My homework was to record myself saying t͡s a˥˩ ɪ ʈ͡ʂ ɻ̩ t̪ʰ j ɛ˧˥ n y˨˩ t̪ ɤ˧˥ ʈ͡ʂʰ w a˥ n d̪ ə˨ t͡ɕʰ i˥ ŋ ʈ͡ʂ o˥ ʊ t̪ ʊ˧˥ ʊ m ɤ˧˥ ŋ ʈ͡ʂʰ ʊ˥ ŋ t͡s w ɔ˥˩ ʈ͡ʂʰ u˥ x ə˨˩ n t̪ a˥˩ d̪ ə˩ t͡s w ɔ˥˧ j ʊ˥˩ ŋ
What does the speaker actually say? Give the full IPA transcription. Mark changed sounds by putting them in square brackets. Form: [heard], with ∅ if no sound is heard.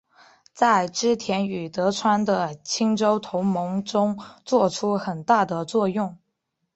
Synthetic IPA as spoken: t͡s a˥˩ ɪ ʈ͡ʂ ɻ̩ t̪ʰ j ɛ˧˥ n y˨˩ t̪ ɤ˧˥ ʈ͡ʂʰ w a˥ n d̪ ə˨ t͡ɕʰ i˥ ŋ ʈ͡ʂ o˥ ʊ [t̪ʰ] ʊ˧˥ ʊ m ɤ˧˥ ŋ [ʈ͡ʂ] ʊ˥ ŋ t͡s w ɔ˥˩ ʈ͡ʂʰ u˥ x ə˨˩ n t̪ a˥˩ d̪ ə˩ t͡s w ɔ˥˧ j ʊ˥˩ ŋ